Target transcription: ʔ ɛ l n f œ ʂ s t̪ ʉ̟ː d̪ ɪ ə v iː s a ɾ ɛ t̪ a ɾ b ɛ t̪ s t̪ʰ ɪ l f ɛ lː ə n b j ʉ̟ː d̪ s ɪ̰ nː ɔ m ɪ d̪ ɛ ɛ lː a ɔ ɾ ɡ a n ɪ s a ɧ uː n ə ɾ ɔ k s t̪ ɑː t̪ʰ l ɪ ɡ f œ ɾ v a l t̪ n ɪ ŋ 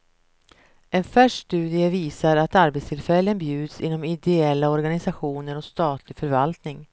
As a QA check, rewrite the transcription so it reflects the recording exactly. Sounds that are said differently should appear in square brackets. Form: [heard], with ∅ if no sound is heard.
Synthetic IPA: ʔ ɛ [∅] n f œ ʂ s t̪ ʉ̟ː d̪ ɪ ə v iː s a ɾ [a] t̪ a ɾ b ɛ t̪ s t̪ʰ ɪ l f ɛ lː ə n b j ʉ̟ː d̪ s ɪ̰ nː ɔ m ɪ d̪ ɛ ɛ lː a ɔ ɾ ɡ a n ɪ s a ɧ uː n ə ɾ ɔ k s t̪ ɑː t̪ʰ l ɪ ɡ f œ ɾ v a l t̪ n ɪ ŋ